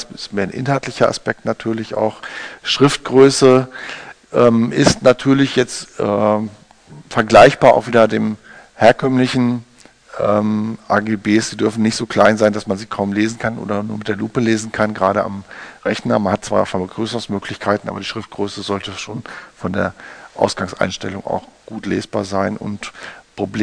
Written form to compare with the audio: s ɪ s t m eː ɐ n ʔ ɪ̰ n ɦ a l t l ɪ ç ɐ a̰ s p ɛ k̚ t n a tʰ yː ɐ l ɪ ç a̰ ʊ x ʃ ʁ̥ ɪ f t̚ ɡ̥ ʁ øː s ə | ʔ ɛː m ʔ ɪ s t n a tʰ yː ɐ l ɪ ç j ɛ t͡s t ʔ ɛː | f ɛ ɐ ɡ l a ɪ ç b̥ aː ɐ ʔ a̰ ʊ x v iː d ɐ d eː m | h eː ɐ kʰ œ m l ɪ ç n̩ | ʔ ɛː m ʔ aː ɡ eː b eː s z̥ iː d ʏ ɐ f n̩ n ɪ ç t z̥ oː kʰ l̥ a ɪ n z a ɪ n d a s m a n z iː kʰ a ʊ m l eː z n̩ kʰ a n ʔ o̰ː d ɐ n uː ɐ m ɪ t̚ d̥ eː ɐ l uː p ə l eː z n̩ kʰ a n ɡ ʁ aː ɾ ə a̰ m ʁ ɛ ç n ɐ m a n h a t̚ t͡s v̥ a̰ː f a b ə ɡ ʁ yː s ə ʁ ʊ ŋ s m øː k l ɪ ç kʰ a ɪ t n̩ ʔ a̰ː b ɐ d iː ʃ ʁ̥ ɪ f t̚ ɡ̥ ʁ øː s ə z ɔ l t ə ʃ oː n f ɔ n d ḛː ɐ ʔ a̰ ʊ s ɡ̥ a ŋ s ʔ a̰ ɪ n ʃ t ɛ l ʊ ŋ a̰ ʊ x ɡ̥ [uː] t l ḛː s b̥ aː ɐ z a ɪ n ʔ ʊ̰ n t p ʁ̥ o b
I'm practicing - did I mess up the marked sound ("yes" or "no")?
no